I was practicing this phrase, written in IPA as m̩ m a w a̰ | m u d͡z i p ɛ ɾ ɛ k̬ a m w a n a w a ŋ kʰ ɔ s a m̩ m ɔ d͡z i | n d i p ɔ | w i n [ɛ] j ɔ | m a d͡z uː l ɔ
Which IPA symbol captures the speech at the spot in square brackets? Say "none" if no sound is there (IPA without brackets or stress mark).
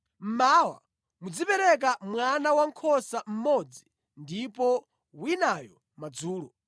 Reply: a